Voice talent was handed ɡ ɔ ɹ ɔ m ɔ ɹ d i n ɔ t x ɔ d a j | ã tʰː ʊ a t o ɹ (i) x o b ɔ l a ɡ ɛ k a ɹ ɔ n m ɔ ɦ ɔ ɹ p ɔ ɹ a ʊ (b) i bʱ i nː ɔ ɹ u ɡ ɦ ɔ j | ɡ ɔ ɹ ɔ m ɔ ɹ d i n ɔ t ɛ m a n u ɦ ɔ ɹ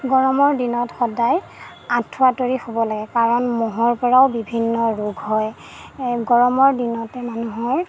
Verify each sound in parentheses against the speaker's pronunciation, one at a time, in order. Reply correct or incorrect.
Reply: correct, correct

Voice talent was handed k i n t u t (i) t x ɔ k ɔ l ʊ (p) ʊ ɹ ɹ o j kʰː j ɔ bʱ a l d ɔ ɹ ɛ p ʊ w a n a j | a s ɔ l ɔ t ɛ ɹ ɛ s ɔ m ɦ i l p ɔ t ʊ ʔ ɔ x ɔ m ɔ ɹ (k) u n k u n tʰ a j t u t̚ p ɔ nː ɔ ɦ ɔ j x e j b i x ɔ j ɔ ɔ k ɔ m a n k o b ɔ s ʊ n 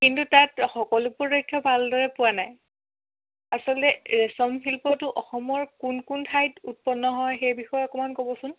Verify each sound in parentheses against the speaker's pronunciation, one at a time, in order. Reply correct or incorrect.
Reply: incorrect, correct, correct

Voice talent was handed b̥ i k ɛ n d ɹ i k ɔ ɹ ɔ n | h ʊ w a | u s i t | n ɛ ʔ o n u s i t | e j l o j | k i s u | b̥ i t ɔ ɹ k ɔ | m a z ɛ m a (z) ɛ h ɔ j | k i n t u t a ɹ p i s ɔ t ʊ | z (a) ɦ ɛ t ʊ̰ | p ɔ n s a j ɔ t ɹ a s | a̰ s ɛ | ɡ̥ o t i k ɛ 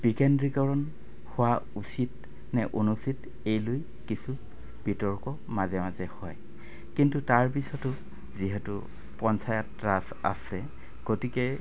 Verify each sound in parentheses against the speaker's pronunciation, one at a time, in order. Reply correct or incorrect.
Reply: correct, incorrect

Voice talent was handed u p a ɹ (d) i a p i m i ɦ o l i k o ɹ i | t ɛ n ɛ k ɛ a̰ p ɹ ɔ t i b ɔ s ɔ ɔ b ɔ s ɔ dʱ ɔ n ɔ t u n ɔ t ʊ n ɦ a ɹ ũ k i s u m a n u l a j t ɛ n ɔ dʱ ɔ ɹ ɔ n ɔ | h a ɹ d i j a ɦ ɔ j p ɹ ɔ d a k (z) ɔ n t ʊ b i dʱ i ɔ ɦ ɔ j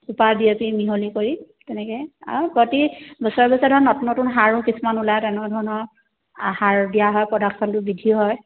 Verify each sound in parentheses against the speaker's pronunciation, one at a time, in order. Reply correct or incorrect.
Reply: correct, incorrect

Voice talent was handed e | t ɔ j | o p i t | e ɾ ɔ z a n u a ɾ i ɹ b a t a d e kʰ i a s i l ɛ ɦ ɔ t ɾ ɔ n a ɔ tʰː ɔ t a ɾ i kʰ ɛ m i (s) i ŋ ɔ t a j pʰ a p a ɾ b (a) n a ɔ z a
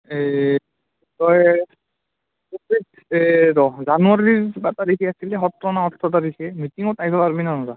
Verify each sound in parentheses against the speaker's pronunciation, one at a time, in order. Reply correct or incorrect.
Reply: incorrect, incorrect

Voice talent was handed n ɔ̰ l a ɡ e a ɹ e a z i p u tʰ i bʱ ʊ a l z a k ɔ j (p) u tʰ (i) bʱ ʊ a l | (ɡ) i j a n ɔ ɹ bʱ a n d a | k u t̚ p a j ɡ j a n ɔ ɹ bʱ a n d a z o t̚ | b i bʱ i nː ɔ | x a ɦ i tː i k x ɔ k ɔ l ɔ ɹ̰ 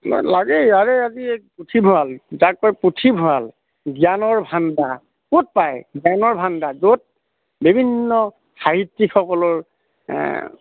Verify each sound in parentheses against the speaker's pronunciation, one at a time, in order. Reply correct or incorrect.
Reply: correct, correct, correct

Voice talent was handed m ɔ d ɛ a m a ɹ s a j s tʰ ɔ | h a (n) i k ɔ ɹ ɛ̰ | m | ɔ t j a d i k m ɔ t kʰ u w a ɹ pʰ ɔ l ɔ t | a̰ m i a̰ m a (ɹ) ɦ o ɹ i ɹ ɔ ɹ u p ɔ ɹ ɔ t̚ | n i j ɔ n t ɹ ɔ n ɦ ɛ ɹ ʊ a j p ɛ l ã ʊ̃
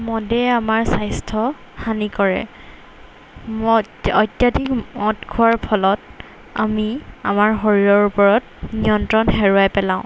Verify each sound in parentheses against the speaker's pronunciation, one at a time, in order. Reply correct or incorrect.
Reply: correct, correct

